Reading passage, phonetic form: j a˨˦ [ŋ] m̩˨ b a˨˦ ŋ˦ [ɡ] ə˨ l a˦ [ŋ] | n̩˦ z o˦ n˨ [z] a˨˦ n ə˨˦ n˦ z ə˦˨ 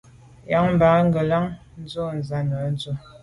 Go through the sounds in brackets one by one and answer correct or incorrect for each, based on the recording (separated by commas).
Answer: correct, correct, correct, correct